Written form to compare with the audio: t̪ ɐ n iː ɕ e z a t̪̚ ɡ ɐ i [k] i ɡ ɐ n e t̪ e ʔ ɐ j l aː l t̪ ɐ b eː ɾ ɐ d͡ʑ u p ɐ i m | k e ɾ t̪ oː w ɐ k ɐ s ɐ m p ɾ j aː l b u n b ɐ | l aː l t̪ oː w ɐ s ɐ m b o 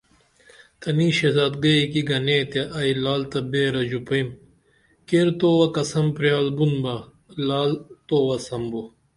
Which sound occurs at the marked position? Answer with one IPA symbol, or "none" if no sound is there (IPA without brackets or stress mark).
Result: k